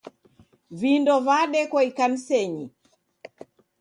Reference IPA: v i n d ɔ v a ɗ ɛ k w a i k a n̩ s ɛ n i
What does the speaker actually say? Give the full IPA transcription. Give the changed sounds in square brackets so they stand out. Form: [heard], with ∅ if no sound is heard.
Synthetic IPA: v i n d ɔ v a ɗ ɛ k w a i k a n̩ s ɛ [ɲ] i